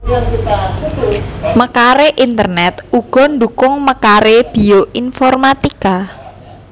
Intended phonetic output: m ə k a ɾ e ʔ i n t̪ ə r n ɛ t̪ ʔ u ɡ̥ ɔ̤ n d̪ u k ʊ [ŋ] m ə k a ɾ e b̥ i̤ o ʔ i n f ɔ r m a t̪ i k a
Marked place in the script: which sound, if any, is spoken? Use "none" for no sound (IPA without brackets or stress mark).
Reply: ŋ